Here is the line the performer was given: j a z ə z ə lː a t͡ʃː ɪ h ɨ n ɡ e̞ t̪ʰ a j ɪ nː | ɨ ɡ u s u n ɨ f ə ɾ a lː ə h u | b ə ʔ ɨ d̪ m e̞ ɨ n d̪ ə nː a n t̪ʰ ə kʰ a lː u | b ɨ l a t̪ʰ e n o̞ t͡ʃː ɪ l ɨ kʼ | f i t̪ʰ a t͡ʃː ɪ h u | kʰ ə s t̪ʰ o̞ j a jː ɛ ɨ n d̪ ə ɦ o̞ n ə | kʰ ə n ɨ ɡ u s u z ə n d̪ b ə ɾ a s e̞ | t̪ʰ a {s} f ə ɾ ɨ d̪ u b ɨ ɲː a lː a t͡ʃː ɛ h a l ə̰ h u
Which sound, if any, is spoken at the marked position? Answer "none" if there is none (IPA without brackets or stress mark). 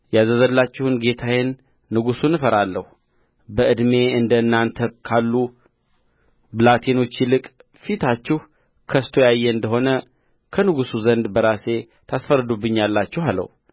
s